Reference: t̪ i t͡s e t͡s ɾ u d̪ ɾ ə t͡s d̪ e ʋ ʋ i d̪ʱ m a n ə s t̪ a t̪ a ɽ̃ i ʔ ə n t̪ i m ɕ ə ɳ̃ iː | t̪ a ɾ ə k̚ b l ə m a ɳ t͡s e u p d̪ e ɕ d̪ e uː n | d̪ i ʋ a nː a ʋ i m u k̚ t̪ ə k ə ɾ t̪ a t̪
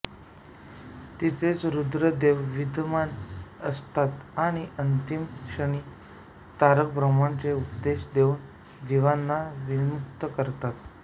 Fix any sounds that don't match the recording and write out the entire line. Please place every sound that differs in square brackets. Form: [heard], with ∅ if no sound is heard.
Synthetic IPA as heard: t̪ i t͡s e t͡s ɾ u d̪ ɾ ə [∅] d̪ e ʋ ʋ i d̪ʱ m a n ə s t̪ a t̪ a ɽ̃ i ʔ ə n t̪ i m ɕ ə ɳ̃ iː | t̪ a ɾ ə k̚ b [ɾ] ə m a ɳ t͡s e u p d̪ e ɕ d̪ e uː n | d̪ i ʋ a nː a ʋ i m u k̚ t̪ ə k ə ɾ t̪ a t̪